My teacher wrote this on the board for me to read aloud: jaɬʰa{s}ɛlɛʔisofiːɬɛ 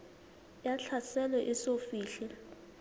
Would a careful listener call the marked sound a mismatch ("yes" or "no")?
no